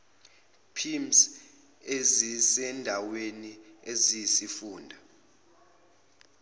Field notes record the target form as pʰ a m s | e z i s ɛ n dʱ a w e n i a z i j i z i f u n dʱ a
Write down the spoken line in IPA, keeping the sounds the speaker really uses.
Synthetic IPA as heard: pʰ i m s | e z i s ɛ n dʱ a w e n i e z i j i s i f uː n dʱ a